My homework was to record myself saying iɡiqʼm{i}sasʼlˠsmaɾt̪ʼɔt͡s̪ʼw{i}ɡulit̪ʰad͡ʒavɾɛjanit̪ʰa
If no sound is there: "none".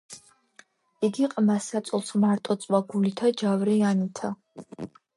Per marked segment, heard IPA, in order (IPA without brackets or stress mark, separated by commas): a, a